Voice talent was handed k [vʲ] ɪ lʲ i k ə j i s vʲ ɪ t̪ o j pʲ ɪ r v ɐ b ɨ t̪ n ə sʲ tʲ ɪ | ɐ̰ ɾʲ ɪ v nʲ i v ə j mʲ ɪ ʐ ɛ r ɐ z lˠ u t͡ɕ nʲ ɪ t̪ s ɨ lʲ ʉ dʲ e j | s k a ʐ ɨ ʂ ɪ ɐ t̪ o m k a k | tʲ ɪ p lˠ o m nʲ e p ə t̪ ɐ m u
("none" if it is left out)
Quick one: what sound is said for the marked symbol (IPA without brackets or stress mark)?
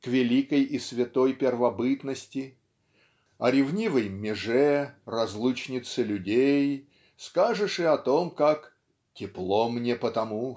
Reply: vʲ